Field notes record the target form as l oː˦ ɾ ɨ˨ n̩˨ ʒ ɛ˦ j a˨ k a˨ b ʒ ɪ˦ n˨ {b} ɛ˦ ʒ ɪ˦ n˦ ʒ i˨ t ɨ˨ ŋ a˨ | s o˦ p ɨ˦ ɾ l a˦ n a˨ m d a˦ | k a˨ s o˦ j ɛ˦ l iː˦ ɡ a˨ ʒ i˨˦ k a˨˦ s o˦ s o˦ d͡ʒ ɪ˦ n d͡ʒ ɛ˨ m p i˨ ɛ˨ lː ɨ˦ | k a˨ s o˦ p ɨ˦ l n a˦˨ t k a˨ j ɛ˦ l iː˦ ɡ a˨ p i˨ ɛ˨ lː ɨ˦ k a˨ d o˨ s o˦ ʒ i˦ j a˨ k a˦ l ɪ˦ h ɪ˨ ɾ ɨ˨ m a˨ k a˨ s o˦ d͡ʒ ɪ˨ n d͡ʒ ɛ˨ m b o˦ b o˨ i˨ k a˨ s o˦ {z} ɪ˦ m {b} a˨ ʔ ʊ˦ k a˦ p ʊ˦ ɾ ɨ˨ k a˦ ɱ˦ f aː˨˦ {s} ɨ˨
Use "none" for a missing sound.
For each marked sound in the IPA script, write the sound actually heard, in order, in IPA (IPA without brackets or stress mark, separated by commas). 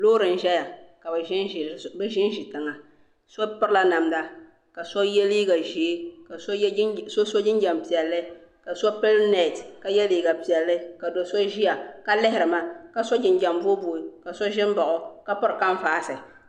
b, ʒ, b, s